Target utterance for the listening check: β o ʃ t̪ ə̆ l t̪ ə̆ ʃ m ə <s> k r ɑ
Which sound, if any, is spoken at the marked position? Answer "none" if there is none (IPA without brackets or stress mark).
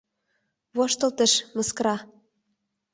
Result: s